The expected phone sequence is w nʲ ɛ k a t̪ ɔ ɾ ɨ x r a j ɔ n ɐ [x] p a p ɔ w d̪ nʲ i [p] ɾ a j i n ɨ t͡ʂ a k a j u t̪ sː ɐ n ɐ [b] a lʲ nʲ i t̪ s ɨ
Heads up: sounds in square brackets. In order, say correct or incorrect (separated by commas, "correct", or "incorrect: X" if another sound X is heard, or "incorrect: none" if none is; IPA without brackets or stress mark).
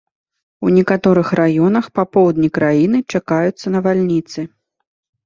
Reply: correct, incorrect: k, incorrect: v